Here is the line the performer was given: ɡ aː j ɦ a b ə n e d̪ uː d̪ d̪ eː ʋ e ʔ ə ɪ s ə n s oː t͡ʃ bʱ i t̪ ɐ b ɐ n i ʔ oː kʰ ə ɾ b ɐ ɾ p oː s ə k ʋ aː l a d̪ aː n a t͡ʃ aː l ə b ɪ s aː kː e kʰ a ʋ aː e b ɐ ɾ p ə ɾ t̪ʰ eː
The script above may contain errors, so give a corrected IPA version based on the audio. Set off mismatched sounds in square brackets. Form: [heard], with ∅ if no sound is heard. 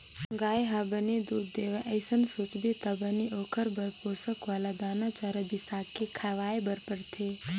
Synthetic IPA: ɡ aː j ɦ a b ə n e d̪ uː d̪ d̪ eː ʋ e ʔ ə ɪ s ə n s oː t͡ʃ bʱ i t̪ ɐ b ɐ n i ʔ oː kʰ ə ɾ b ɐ ɾ p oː s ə k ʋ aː l a d̪ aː n a t͡ʃ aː [ɾ] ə b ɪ s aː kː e kʰ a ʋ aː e b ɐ ɾ p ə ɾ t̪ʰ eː